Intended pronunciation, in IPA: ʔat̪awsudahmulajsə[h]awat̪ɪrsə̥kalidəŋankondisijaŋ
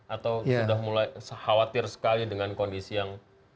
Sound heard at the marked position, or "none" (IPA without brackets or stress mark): h